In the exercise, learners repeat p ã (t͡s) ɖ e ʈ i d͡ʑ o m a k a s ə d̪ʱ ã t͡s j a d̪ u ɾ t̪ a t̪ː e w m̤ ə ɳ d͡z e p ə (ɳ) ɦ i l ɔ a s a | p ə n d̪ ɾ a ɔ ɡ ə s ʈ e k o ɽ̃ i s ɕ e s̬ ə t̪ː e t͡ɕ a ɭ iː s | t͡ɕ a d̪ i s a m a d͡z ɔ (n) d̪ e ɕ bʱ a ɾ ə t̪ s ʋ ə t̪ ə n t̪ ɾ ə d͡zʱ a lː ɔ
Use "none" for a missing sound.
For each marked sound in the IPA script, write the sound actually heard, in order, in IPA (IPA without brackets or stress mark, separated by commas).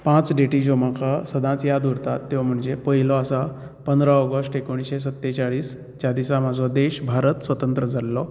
t͡s, none, none